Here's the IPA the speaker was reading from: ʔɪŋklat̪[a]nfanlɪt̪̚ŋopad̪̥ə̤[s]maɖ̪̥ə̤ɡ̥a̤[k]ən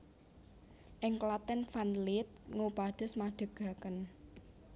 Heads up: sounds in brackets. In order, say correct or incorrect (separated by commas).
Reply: incorrect, correct, correct